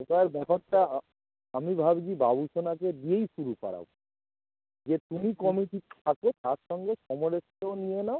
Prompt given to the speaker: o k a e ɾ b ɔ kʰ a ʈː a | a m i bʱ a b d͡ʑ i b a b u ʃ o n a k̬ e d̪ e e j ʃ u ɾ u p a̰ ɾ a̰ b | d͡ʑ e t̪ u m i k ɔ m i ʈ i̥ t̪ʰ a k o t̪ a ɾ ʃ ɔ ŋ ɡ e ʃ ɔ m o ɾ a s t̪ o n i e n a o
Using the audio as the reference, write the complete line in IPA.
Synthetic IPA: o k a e ɾ b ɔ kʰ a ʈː a | a m i bʱ a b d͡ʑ i b a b u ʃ o n a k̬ e d̪ i e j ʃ u ɾ u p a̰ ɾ a̰ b | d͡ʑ e t̪ u m i k ɔ m i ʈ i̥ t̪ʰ a k o t̪ a ɾ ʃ ɔ ŋ ɡ e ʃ ɔ m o ɾ e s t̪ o n i e n a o